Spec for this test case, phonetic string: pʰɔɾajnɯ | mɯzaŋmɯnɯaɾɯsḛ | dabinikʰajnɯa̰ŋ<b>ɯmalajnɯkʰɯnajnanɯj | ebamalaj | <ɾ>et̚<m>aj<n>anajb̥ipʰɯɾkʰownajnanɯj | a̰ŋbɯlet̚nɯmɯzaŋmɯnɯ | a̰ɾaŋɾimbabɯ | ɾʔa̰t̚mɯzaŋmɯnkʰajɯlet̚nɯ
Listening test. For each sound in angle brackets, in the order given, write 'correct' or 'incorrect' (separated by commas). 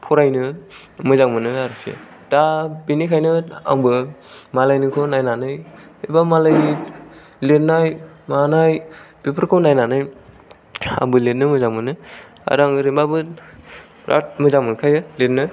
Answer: correct, incorrect, incorrect, incorrect